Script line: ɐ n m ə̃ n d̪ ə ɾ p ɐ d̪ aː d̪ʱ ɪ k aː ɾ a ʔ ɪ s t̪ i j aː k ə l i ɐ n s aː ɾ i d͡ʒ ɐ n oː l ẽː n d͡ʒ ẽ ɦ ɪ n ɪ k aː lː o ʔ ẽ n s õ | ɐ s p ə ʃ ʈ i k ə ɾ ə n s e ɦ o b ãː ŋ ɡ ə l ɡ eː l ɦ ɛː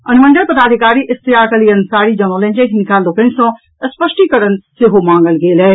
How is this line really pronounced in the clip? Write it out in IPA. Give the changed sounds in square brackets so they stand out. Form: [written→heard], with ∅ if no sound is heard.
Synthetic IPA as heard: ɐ n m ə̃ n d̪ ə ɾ p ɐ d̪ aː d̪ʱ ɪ k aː ɾ [a→i] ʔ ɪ s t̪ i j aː k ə l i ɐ n s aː ɾ i d͡ʒ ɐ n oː l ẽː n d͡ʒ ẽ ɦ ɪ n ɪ k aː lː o [ʔ→k] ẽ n s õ | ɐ s p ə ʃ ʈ i k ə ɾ ə n s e ɦ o [b→m] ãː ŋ ɡ ə l ɡ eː l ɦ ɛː